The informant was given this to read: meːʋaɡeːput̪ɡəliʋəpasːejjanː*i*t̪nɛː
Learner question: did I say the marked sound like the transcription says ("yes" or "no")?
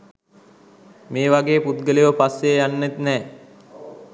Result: no